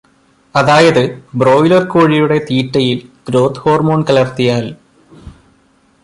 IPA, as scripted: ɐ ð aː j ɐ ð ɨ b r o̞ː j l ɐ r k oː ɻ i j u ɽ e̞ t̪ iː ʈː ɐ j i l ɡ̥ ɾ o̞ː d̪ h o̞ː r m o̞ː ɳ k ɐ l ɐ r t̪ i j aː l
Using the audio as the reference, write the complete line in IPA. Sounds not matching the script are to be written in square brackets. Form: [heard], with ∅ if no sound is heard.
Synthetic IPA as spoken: ɐ ð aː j ɐ ð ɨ b r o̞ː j l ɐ r k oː ɻ i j u ɽ e̞ t̪ iː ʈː ɐ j i l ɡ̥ ɾ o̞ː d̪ h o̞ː r m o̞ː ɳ k ɐ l ɐ r t̪ i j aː l

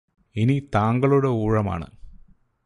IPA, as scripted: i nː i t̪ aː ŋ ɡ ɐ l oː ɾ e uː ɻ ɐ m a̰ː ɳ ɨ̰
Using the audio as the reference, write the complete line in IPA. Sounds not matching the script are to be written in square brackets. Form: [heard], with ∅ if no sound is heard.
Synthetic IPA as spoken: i [n] i t̪ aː ŋ ɡ ɐ [ɭ] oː [ɽ] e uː ɻ ɐ m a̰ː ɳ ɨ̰

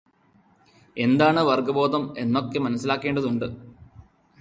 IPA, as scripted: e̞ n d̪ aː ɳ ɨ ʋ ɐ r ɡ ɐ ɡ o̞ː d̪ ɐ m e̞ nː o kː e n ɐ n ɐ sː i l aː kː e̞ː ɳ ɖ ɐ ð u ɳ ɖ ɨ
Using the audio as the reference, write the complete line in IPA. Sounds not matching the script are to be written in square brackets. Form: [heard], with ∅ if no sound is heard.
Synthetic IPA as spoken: e̞ n d̪ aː ɳ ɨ ʋ ɐ r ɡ ɐ [b] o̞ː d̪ ɐ m e̞ nː o kː e [m] ɐ n ɐ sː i l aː kː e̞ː ɳ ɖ ɐ ð u ɳ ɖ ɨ

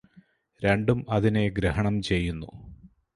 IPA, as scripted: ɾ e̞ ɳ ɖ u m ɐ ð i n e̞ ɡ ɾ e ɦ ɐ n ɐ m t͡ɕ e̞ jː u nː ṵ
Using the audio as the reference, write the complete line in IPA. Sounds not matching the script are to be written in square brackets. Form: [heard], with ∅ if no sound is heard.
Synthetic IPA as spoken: ɾ e̞ ɳ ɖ u m ɐ ð i n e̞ ɡ ɾ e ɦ ɐ [ɳ] ɐ m t͡ɕ e̞ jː u nː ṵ

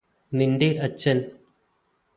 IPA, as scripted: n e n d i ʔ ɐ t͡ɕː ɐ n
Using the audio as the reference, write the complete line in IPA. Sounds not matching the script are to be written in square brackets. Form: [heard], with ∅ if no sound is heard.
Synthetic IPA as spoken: n [i] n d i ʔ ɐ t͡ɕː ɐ n

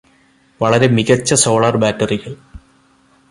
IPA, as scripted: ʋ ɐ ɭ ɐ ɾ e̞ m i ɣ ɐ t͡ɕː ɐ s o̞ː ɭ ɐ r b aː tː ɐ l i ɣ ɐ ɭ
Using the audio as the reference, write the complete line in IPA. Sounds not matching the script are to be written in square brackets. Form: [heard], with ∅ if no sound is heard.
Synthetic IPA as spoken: ʋ ɐ ɭ ɐ ɾ e̞ m i ɣ ɐ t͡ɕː ɐ s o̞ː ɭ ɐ r b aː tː ɐ [r] i ɣ ɐ ɭ

